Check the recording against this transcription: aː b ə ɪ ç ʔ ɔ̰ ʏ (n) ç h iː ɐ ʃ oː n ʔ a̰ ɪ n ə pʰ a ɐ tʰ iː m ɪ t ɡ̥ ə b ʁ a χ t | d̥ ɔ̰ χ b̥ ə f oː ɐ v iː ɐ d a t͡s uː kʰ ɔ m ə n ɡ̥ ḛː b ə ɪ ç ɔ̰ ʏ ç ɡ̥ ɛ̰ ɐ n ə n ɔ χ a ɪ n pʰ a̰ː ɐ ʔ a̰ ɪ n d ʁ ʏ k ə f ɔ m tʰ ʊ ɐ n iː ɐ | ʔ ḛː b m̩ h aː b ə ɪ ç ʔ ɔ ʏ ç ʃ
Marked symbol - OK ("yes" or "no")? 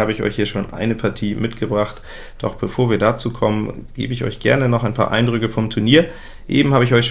no